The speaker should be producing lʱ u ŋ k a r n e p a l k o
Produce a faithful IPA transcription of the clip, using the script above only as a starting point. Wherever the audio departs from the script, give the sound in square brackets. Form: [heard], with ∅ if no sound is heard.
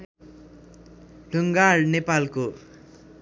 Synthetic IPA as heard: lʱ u ŋ [ɡ] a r n e p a l k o